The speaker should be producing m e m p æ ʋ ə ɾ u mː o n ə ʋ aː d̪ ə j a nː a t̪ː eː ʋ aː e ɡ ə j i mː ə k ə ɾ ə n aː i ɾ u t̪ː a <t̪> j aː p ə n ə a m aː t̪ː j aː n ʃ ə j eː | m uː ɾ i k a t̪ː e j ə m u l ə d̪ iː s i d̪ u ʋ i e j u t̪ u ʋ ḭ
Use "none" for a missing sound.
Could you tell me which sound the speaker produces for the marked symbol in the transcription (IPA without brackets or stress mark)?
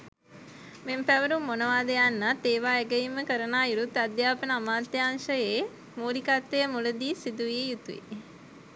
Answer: d̪